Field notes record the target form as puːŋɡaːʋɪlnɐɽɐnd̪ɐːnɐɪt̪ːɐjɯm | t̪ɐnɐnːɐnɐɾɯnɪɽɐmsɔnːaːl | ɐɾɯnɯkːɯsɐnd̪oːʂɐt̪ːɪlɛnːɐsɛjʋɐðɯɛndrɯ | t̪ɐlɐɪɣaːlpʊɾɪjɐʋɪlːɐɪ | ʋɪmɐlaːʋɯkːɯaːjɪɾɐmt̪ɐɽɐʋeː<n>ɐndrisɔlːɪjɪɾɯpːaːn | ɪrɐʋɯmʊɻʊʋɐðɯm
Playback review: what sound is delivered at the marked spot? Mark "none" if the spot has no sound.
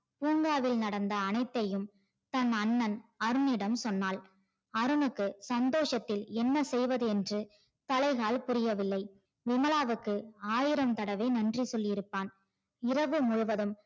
n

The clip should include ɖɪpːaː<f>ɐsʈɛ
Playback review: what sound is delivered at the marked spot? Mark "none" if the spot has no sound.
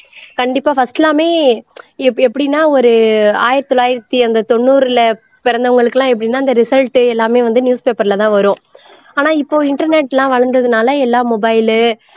f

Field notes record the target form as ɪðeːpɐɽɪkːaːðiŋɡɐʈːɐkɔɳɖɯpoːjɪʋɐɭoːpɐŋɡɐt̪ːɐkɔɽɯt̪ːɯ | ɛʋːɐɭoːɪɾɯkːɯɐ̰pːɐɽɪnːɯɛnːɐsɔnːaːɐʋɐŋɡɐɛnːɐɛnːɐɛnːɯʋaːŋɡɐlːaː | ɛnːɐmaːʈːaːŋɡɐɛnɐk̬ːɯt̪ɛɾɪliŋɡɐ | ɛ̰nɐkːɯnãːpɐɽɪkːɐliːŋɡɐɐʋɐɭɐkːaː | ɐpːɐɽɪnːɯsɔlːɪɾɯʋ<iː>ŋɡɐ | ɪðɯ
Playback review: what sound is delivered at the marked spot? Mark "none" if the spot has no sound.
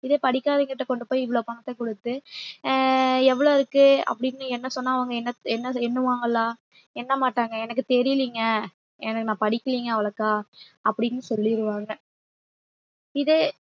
aː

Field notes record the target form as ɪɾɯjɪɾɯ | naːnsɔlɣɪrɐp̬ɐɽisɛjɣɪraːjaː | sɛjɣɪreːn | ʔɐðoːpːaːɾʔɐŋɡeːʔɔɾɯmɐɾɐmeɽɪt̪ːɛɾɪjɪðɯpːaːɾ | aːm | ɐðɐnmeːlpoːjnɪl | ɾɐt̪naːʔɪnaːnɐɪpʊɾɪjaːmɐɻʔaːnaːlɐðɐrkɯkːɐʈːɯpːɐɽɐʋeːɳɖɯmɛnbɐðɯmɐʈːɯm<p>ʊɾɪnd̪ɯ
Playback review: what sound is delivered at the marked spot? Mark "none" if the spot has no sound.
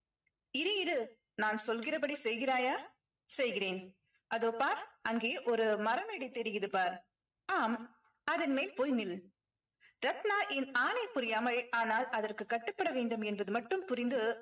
p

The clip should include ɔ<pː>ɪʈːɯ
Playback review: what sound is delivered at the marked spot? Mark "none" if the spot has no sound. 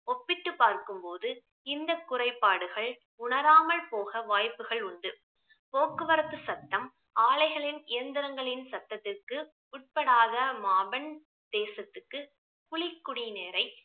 pː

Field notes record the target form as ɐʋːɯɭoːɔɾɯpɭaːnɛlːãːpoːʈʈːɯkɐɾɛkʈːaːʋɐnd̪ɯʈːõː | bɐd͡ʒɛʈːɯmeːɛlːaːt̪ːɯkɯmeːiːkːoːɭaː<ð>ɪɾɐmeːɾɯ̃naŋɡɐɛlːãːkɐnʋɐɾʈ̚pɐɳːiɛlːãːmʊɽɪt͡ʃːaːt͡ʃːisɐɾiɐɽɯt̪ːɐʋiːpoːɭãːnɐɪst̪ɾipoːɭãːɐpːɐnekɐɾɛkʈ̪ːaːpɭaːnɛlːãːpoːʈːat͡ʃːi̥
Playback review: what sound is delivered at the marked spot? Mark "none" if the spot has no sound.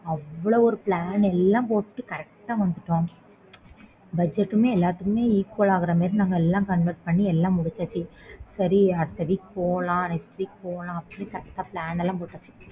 ɣ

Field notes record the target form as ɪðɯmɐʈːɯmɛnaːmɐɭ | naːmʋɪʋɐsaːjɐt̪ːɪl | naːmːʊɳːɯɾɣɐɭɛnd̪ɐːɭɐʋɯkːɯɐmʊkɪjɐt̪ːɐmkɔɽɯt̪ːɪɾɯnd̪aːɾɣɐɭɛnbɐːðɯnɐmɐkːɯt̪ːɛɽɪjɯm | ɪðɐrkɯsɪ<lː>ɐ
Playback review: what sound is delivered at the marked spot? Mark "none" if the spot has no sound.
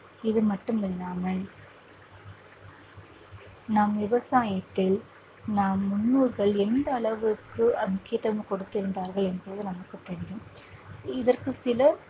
l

